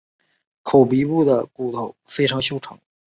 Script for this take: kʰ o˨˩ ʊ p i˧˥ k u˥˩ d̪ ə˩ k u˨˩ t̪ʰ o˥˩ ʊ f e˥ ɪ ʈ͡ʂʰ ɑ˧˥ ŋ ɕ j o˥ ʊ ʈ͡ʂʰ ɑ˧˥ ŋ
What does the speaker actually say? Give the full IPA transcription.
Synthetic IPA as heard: kʰ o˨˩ ʊ p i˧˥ p u˥˩ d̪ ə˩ k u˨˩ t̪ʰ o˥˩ ʊ f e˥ ɪ ʈ͡ʂʰ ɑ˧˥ ŋ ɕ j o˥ ʊ ʈ͡ʂʰ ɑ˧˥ ŋ